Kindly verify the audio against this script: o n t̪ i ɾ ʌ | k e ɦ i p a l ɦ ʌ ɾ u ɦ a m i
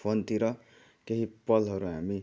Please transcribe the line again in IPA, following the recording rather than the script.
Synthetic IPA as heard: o n t̪ i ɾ ʌ | k e ɦ i p ʌ l ɦ ʌ ɾ u ɦ a m i

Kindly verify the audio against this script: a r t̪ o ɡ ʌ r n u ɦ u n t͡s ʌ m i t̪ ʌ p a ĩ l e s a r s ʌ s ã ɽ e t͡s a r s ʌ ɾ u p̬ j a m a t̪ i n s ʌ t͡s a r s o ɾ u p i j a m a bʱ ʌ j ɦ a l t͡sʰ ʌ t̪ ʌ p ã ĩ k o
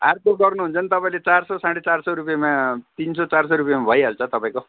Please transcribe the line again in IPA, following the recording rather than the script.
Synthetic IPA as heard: a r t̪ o ɡ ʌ r n u ɦ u n t͡s ʌ n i t̪ ʌ p a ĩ l e t͡s a r s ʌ s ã ɽ e t͡s a r s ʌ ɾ u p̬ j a m a t̪ i n s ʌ t͡s a r s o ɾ u p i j a m a bʱ ʌ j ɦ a l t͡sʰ ʌ t̪ ʌ p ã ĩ k o

